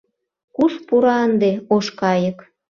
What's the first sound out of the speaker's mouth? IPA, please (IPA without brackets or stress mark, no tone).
k